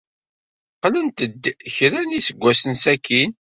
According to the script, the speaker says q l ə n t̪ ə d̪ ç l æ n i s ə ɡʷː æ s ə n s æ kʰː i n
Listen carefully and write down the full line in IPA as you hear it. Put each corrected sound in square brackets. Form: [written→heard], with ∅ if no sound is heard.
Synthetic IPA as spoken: q l ə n t̪ ə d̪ ç [l→ɾ] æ n i s ə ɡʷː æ s ə n s æ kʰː i n